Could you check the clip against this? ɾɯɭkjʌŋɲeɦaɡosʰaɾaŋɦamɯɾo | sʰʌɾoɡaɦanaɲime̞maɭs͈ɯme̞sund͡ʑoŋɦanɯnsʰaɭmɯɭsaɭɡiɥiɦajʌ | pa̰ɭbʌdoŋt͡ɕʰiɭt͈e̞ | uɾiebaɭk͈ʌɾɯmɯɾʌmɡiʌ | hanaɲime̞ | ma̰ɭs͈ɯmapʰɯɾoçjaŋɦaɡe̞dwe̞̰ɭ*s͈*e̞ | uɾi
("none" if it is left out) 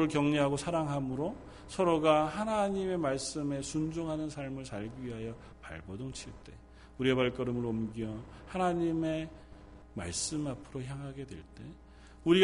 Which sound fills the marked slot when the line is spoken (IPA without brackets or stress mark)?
t͈